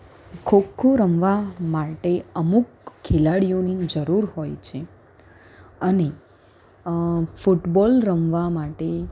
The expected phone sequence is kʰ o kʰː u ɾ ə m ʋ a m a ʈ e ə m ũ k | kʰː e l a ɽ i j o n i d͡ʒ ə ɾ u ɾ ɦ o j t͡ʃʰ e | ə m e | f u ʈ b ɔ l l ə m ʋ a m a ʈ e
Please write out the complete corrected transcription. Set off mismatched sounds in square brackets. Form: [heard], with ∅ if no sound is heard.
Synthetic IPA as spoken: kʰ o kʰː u ɾ ə m ʋ a m a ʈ e ə m [u] k | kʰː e l a ɽ i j o n i d͡ʒ ə ɾ u ɾ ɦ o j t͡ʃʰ e | ə [n] e | f u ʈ b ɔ l [ɾ] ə m ʋ a m a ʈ e